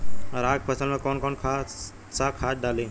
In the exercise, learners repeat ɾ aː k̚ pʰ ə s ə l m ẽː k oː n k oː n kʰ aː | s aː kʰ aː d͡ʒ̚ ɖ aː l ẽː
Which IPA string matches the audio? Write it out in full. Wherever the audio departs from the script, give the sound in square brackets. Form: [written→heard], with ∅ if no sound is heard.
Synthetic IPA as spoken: ɾ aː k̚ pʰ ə s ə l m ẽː k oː n k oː n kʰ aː | s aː kʰ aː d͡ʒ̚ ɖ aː l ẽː